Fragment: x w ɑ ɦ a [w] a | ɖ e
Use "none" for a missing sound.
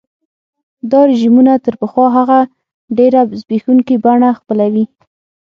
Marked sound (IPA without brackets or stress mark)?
ɣ